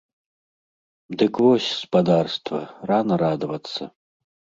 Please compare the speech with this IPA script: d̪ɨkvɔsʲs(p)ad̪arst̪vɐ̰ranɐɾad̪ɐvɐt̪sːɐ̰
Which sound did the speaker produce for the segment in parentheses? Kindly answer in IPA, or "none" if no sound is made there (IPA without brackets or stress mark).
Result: p